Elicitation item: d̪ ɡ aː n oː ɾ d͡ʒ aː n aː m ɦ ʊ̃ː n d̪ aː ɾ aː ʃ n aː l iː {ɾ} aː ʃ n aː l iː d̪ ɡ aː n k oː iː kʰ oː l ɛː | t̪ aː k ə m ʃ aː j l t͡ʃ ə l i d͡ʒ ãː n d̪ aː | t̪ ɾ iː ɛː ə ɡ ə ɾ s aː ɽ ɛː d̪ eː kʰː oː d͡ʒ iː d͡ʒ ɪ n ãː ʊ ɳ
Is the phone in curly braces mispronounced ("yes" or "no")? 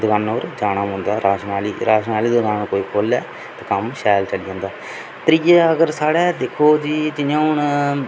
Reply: no